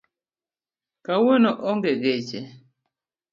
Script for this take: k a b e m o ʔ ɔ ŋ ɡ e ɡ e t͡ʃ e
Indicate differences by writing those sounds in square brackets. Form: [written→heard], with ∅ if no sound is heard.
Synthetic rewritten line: k a [b→w] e [m→n] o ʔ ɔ ŋ ɡ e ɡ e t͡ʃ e

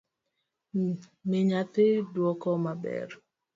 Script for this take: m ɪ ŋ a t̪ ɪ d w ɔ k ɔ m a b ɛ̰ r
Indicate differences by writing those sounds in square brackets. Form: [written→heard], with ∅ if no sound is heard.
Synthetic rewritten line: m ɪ [ŋ→ɲ] a t̪ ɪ d w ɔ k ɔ m a b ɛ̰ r

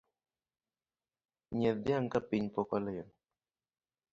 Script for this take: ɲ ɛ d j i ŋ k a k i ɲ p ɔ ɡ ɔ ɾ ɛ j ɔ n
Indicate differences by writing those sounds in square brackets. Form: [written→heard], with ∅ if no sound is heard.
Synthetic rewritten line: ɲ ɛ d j [i→a] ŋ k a [k→p] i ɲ p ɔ [ɡ→k] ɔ [ɾ→l] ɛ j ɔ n

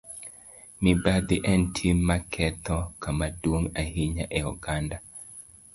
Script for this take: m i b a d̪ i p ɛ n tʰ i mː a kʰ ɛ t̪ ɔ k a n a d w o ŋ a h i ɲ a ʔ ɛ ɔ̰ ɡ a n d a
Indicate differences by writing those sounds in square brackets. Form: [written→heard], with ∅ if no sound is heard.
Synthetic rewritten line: m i b a d̪ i [p→ʔ] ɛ n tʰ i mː a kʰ ɛ t̪ ɔ k a [n→m] a d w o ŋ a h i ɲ a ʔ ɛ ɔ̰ ɡ a n d a

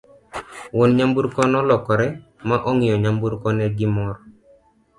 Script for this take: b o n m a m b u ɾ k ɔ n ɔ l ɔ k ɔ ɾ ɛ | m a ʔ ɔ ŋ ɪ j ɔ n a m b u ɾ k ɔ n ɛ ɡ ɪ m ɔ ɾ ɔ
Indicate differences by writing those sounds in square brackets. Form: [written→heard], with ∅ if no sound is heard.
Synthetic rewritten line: [b→w] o n [m→ɲ] a m b u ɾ k ɔ n ɔ l ɔ k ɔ ɾ ɛ | m a ʔ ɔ ŋ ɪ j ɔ [n→ɲ] a m b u ɾ k ɔ n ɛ ɡ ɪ m ɔ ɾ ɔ

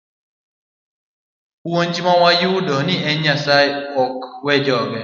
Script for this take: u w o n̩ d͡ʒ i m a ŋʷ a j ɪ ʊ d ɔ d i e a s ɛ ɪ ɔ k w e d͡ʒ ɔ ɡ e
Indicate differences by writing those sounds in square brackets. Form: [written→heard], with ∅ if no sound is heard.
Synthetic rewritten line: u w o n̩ d͡ʒ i m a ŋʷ a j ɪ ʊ d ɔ [d→n] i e a s [ɛ→a] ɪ ɔ k w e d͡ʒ ɔ ɡ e

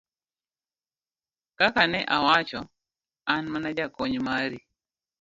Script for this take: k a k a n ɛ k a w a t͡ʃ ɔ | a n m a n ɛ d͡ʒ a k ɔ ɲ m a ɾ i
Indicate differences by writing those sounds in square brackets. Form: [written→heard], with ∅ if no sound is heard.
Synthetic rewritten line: k a k a n ɛ [k→ʔ] a w a t͡ʃ ɔ | a n m a n [ɛ→a] d͡ʒ a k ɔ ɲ m a ɾ i

